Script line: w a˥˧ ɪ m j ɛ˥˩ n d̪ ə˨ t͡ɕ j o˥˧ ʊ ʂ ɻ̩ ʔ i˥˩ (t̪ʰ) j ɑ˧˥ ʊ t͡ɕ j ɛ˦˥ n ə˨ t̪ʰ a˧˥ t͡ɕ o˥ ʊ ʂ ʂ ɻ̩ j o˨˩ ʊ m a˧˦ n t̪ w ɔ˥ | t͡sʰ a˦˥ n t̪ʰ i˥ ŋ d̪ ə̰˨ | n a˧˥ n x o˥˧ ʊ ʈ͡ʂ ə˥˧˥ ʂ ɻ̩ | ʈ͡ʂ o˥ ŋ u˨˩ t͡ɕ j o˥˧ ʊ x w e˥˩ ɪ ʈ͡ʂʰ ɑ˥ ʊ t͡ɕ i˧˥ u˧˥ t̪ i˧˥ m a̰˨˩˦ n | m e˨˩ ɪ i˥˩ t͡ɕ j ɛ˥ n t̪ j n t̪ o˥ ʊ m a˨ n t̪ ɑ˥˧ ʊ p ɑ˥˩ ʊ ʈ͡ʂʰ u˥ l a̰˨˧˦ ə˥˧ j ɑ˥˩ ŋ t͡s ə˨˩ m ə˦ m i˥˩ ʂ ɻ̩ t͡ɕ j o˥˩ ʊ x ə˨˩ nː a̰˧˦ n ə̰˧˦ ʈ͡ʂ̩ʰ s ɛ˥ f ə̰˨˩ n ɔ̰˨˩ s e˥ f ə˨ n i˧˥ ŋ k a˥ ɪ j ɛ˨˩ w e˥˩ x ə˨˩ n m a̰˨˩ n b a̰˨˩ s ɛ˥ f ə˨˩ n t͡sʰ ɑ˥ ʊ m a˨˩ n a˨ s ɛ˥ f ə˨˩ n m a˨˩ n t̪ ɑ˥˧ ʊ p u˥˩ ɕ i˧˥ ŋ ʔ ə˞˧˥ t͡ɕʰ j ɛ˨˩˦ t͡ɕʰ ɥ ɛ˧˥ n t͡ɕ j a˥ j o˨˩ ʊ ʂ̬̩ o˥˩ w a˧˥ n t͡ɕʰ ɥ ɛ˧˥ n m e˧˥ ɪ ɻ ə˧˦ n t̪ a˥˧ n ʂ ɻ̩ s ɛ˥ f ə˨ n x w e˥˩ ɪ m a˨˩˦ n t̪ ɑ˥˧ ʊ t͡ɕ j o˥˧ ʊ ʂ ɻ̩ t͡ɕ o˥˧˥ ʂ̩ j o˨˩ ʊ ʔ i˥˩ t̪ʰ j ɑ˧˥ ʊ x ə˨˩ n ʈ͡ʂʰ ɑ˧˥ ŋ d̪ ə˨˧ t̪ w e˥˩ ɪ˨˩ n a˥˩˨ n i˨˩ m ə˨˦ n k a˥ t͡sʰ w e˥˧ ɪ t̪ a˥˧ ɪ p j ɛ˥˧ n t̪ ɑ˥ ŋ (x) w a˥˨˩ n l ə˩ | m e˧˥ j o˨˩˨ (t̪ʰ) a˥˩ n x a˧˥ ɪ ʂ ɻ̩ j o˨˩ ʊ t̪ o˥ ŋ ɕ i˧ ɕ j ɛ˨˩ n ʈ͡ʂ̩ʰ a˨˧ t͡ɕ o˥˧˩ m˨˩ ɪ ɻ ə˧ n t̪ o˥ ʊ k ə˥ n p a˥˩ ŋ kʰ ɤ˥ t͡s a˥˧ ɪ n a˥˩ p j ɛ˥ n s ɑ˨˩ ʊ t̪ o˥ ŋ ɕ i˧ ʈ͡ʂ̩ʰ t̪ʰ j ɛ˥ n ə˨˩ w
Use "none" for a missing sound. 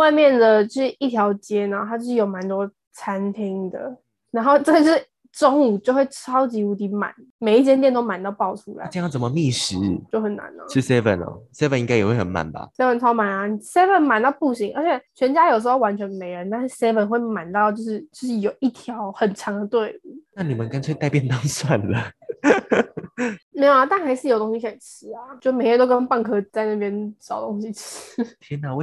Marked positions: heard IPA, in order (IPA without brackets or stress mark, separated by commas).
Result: t̪ʰ, s, t̪